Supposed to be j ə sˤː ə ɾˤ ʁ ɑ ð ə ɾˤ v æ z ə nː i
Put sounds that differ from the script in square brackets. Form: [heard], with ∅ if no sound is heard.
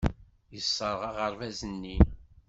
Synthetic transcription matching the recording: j ə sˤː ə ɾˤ ʁ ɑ [ʁ] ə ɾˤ v æ z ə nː i